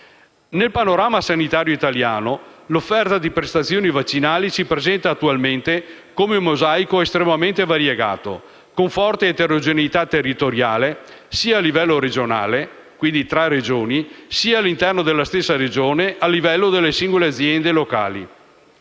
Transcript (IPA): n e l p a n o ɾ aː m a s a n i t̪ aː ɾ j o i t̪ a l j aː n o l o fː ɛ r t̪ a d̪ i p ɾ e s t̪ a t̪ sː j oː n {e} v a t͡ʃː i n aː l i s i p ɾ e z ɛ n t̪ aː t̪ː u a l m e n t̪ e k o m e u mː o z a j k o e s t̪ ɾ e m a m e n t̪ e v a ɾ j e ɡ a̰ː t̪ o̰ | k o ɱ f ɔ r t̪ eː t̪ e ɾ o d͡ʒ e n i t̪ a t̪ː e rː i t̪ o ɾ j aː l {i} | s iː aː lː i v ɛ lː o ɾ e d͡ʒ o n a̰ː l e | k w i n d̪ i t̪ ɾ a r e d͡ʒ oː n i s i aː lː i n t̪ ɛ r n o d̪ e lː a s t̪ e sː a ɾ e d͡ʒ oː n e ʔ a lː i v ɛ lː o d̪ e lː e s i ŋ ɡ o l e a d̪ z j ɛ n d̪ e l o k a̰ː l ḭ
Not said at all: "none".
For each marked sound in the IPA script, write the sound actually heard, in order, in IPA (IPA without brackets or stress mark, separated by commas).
i, e